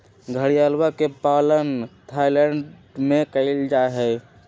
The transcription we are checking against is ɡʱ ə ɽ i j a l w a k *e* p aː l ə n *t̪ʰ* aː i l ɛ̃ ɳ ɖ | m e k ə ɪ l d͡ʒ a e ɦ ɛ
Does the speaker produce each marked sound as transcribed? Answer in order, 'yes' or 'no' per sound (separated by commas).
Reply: yes, yes